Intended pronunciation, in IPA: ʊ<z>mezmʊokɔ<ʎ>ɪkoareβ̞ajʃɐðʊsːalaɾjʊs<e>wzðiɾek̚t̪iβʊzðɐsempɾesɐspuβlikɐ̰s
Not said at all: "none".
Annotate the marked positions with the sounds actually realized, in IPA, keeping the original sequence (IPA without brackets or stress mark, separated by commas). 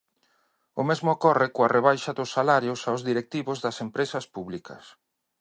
none, r, a